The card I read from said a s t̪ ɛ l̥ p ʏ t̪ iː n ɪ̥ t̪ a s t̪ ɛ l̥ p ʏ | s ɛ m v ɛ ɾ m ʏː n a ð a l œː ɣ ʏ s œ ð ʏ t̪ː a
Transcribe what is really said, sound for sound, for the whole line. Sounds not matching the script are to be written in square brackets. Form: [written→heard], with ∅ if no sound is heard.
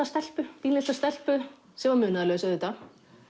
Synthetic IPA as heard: a s t̪ ɛ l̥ p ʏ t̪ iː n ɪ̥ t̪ a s t̪ ɛ l̥ p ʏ | s ɛ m v [ɛ→a] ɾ m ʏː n a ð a l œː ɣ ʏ s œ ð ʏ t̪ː a